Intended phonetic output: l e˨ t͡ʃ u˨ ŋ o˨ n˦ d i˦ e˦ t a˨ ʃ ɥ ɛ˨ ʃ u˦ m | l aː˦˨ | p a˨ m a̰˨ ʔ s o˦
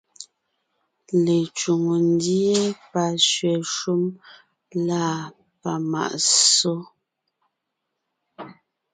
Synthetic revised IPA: l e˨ t͡ʃ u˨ ŋ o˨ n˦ d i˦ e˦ p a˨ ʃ ɥ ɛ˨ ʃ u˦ m | l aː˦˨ | p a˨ m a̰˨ ʔ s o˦